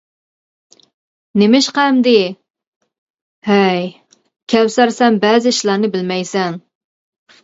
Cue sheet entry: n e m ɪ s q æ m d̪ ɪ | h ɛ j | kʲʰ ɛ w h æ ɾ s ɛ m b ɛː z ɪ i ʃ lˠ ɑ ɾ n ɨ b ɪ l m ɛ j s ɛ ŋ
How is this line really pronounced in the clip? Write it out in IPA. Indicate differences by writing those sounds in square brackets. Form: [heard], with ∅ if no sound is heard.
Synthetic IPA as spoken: n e m ɪ [ʃ] q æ m d̪ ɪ | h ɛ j | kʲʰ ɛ w [s] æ ɾ s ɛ m b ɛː z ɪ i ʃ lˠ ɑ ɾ n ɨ b ɪ l m ɛ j s ɛ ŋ